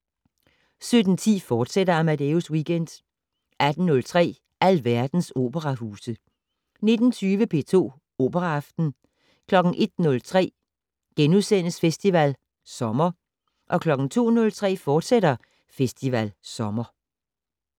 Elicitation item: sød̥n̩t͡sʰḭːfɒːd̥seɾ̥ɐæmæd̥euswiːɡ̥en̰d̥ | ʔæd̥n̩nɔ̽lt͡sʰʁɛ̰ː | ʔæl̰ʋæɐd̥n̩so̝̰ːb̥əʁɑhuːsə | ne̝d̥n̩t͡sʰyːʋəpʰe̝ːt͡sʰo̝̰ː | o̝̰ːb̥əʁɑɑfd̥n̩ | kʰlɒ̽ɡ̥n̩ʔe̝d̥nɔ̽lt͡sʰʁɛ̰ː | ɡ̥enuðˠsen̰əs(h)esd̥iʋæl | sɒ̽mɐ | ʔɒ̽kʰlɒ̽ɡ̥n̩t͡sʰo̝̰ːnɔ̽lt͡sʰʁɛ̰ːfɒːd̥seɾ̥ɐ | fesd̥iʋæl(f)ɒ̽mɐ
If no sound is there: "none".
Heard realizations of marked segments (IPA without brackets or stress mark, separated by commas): f, s